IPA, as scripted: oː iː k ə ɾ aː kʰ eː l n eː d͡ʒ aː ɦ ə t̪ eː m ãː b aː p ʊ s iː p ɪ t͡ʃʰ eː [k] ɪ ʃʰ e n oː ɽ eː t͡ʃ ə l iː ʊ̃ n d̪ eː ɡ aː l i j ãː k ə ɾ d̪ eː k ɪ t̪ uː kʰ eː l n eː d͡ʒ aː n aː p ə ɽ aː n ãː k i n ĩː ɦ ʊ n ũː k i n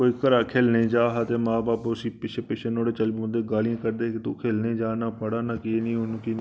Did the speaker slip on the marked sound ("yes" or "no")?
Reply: yes